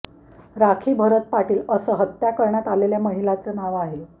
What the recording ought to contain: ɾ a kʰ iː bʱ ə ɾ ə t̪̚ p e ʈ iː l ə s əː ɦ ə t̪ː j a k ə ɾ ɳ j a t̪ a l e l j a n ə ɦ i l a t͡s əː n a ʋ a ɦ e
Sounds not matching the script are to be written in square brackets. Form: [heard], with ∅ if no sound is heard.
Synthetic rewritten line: ɾ a kʰ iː bʱ ə ɾ ə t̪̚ p [a] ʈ iː l ə s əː ɦ ə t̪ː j a k ə ɾ ɳ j a t̪ a l e l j a [m] ə ɦ i l a t͡s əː n a ʋ a ɦ e